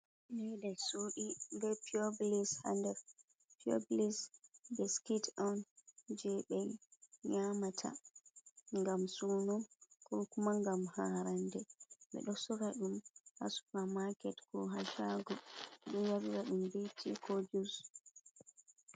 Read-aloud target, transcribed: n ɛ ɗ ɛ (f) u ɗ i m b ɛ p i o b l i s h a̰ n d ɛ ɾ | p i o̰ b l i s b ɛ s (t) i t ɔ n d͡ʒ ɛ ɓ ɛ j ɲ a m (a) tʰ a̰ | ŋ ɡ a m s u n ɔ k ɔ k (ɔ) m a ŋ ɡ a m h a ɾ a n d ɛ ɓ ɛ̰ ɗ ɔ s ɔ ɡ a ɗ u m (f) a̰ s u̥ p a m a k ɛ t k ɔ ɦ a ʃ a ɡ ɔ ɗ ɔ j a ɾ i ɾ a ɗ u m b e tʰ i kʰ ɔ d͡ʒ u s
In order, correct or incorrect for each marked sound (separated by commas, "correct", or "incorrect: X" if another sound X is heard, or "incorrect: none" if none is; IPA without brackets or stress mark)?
incorrect: s, incorrect: k, correct, incorrect: u, incorrect: h